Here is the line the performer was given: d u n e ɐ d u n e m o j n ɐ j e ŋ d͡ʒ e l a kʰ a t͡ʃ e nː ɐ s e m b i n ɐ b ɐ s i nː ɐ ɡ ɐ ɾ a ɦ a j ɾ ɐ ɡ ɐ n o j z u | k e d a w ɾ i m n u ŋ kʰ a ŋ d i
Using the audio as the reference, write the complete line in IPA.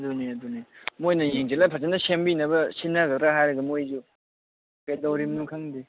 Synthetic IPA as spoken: d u n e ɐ d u n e m o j n ɐ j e ŋ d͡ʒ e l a pʰ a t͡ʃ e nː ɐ s e m b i n ɐ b ɐ s i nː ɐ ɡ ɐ ɾ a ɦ a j ɾ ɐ ɡ ɐ m o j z u | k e d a w ɾ i m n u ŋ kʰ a ŋ d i